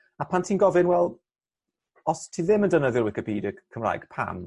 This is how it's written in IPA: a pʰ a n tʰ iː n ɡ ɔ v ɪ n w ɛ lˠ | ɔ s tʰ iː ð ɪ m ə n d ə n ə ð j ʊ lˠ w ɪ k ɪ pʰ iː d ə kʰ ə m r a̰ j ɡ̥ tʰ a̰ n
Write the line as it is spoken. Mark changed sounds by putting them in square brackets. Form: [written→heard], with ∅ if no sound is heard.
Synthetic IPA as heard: a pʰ a n tʰ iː n ɡ ɔ v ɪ n w ɛ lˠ | ɔ s tʰ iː ð ɪ m ə n d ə n ə ð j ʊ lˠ w ɪ k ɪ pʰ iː d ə kʰ ə m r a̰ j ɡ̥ [tʰ→pʰ] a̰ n